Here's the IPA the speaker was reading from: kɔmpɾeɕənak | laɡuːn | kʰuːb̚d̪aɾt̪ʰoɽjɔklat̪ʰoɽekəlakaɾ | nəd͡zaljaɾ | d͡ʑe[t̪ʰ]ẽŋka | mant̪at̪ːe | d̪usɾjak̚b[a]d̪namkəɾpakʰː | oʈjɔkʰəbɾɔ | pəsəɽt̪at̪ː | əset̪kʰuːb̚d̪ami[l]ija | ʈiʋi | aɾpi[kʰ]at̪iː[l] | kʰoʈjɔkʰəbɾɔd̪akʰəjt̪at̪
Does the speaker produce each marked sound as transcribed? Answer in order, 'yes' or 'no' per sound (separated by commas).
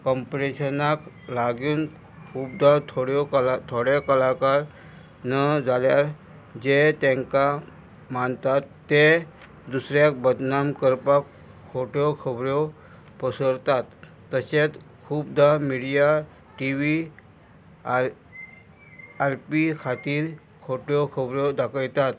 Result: no, no, no, yes, no